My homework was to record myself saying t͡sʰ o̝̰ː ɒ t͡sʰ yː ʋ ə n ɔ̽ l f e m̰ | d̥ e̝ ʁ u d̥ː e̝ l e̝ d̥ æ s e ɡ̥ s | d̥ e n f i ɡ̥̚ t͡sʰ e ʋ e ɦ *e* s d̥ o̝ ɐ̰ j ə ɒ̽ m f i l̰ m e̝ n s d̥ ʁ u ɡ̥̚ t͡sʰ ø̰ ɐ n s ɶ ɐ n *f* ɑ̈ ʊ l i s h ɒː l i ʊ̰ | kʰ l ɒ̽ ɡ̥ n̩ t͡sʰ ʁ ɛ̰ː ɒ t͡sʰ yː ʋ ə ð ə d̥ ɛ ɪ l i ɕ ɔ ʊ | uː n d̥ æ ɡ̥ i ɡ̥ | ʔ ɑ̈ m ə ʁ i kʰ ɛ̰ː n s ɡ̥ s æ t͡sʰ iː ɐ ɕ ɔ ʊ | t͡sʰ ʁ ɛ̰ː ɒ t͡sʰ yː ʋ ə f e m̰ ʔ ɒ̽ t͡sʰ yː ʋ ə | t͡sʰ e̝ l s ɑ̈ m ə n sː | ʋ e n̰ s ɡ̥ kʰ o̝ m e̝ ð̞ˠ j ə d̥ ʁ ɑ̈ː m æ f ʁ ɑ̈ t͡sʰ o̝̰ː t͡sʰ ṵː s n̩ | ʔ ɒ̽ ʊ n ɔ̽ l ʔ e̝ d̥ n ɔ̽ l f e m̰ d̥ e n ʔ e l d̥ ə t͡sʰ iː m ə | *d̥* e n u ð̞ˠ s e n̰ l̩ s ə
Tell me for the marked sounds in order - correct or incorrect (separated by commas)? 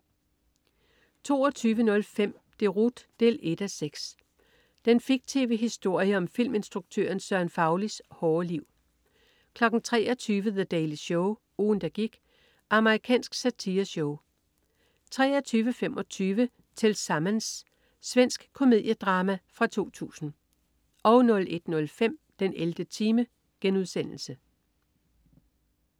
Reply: incorrect, correct, incorrect